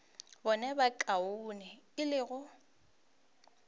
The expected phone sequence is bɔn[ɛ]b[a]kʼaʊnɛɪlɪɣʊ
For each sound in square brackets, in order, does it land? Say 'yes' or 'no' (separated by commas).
yes, yes